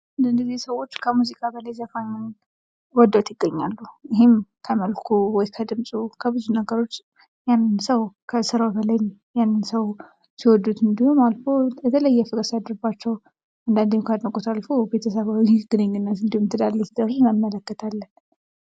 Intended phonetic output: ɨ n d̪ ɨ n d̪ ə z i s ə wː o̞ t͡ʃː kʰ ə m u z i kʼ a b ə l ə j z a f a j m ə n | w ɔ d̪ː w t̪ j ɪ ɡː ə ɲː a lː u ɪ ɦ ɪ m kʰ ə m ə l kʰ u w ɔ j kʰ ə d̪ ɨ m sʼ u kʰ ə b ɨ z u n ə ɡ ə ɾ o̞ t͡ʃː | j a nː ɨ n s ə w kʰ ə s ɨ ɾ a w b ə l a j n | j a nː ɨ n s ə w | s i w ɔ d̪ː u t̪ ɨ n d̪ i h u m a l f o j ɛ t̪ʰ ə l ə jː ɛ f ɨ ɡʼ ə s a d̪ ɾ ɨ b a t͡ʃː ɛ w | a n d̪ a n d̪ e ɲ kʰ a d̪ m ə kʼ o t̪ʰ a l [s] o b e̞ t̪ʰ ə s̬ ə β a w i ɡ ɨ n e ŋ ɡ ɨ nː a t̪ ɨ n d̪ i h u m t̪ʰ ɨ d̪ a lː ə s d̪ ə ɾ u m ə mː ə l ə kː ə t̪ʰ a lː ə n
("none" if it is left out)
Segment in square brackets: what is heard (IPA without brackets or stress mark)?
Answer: f